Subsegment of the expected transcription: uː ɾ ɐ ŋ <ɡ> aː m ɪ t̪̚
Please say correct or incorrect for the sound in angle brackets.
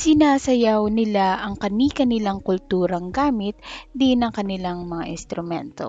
correct